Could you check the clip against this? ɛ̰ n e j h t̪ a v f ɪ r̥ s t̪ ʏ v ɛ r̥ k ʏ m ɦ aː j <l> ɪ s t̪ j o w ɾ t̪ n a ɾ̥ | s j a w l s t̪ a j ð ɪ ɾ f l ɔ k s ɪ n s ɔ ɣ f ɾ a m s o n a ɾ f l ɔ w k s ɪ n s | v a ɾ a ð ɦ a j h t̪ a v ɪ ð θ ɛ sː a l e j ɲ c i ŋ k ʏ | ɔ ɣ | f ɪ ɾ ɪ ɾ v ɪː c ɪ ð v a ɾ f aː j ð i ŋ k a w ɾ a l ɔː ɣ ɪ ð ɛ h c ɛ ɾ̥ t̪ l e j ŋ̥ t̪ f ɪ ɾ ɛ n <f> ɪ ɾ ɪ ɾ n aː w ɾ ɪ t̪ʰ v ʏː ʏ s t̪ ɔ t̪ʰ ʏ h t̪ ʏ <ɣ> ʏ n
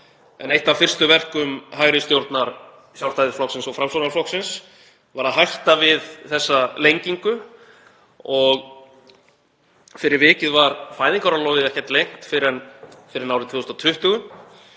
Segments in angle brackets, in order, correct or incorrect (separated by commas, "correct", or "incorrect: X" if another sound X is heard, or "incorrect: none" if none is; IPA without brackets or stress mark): incorrect: ɾ, correct, correct